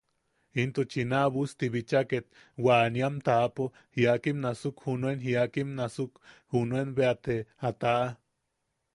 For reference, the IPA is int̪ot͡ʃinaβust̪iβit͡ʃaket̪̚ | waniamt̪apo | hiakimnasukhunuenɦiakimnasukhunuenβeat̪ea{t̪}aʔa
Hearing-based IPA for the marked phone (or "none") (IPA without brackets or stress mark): t̪